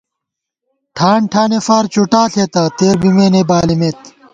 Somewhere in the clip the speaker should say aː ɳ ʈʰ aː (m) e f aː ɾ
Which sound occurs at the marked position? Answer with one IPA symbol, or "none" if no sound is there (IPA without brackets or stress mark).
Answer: n